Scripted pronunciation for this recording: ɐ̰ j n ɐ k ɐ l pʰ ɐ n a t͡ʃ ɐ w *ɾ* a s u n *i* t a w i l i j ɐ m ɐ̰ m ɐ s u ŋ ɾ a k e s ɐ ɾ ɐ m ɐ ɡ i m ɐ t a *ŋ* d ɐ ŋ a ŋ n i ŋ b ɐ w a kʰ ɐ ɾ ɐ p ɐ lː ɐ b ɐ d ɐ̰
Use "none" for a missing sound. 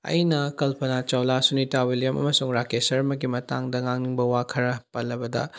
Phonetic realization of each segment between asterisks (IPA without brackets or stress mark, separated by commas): l, i, ŋ